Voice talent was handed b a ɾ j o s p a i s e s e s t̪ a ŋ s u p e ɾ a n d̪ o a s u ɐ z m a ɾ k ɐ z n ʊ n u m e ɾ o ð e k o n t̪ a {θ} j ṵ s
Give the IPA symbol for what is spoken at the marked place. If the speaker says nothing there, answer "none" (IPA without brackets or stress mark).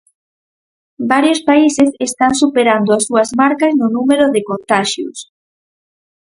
ʃ